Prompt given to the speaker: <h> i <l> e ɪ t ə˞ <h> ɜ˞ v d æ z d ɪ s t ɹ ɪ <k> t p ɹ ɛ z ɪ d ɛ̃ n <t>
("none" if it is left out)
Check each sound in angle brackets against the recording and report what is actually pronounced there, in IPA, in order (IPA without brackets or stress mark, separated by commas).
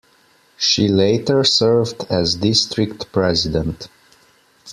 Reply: ʃ, l, s, k, t